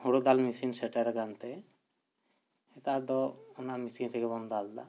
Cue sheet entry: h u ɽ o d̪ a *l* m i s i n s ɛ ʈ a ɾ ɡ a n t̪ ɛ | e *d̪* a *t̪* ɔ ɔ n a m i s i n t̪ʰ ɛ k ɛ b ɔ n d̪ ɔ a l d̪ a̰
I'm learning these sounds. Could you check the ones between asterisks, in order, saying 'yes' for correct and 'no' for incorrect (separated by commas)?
yes, no, no